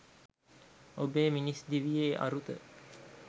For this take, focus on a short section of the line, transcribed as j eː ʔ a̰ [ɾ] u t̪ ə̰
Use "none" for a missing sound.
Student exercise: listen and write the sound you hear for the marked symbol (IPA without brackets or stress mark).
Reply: ɾ